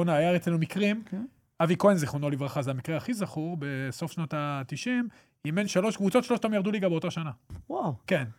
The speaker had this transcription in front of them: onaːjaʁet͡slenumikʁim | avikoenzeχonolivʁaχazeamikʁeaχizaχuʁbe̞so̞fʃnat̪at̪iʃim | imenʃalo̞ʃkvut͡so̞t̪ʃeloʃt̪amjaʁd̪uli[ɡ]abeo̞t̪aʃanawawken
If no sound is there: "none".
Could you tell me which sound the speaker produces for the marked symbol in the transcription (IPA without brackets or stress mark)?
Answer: ɡ